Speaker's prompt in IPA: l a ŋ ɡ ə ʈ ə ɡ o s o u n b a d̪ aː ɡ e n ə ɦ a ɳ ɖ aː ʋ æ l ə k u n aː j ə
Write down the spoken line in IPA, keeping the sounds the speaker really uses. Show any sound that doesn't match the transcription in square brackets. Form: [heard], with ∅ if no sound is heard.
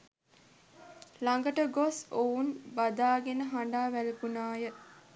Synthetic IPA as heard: l a ŋ ɡ ə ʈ ə ɡ o s o u n b a d̪ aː ɡ e n ə ɦ a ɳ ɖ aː ʋ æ l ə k u n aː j ə